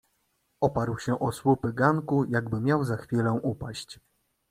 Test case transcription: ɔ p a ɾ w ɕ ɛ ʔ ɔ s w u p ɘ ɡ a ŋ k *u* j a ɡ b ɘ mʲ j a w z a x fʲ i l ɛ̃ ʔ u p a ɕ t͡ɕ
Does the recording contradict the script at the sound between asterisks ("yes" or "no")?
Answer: no